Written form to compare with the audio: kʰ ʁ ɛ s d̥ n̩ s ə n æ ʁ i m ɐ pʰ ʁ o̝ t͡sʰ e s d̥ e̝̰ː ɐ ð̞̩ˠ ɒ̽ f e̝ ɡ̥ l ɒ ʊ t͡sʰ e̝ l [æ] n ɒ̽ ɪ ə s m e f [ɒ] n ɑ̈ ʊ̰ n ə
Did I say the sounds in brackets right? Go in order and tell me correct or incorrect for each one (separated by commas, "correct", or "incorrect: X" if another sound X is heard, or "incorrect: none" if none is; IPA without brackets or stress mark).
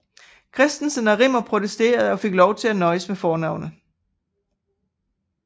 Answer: correct, incorrect: ɒː